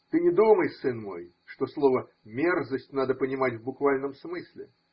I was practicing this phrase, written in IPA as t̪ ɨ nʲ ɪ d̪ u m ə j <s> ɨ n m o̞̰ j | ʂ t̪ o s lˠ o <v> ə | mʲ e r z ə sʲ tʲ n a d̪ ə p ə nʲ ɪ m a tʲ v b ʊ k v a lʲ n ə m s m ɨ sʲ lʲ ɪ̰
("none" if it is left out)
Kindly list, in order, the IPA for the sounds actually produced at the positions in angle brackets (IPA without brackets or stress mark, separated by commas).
s, v